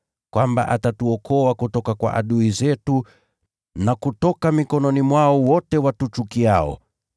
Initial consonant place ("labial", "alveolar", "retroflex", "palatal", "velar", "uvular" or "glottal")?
velar